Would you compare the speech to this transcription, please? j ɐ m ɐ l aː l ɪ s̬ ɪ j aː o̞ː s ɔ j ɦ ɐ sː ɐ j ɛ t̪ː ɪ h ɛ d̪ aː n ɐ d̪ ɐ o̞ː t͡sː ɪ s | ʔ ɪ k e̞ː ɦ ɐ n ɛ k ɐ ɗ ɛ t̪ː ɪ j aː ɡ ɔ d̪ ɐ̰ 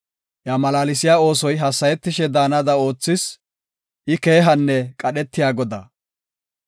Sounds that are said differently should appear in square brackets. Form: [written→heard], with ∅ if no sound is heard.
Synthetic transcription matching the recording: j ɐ m ɐ l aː l ɪ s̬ ɪ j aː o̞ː s ɔ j ɦ ɐ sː ɐ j ɛ t̪ː ɪ [h→ʃ] ɛ d̪ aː n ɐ d̪ ɐ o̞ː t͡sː ɪ s | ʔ ɪ k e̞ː ɦ ɐ [n→nː] ɛ [k→kʼ] ɐ ɗ ɛ t̪ː ɪ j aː ɡ ɔ d̪ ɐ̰